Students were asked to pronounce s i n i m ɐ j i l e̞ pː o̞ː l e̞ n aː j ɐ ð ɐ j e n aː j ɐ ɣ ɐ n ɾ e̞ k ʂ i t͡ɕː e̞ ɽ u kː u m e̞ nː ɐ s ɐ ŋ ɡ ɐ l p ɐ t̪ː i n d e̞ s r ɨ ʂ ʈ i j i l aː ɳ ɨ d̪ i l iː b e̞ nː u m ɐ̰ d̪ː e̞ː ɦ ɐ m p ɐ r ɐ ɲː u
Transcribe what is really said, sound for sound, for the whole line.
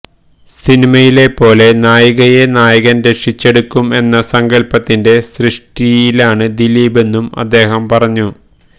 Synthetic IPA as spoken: s i n i m ɐ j i l e̞ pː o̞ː l e̞ n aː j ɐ ɣ ɐ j e n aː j ɐ ɣ ɐ n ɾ e̞ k ʂ i t͡ɕː e̞ ɽ u kː u m e̞ nː ɐ s ɐ ŋ ɡ ɐ l p ɐ t̪ː i n d e̞ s r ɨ ʂ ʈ i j i l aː ɳ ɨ d̪ i l iː b e̞ nː u m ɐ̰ d̪ː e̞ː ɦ ɐ m p ɐ r ɐ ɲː u

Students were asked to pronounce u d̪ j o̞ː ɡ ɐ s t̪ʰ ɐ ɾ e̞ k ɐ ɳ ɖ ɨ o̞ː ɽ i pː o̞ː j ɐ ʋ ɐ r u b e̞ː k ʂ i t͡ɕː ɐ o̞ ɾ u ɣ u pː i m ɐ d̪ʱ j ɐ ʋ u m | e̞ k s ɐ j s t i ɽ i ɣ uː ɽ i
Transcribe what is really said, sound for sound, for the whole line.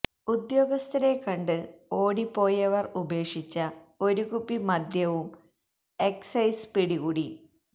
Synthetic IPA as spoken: u d̪ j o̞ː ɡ ɐ s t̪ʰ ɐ ɾ e̞ k ɐ ɳ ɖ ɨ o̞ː ɽ i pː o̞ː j ɐ ʋ ɐ r u b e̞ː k ʂ i t͡ɕː ɐ o̞ ɾ u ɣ u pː i m ɐ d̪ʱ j ɐ ʋ u m | e̞ k s ɐ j s p i ɽ i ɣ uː ɽ i

